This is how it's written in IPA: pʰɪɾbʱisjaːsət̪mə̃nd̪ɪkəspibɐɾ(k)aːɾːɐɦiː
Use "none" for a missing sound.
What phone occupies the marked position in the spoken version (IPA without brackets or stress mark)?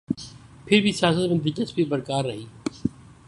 k